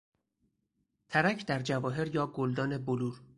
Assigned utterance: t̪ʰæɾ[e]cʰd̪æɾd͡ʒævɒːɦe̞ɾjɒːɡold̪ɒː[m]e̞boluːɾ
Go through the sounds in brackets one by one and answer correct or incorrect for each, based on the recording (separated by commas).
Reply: incorrect, incorrect